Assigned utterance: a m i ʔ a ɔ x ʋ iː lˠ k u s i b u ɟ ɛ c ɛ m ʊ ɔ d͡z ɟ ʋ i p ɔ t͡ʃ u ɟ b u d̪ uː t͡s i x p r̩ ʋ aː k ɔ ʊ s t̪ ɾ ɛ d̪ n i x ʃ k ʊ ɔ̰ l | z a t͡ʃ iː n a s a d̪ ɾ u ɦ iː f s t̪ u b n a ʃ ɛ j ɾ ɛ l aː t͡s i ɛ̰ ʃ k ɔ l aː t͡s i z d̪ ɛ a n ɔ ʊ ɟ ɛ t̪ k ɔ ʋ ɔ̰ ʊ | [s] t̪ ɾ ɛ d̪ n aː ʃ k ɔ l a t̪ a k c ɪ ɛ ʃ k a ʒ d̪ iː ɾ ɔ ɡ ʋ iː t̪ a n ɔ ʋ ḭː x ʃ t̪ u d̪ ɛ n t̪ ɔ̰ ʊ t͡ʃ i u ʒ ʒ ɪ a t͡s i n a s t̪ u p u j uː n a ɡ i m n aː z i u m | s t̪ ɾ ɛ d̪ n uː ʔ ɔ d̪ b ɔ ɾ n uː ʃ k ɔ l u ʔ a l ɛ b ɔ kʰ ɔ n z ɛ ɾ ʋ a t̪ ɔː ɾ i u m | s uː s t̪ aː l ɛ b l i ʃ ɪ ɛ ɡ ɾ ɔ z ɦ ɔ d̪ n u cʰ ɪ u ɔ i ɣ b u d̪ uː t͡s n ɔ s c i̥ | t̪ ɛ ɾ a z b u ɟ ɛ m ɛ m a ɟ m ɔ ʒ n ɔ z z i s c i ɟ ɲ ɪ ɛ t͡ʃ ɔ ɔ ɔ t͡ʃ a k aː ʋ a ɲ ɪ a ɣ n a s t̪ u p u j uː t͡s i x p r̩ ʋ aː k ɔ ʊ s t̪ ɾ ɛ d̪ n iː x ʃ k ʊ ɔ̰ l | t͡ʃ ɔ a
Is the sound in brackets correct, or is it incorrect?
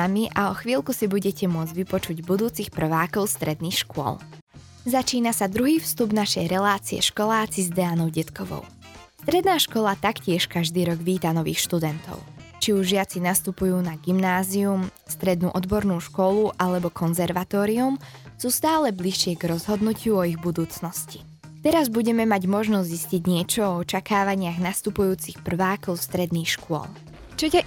correct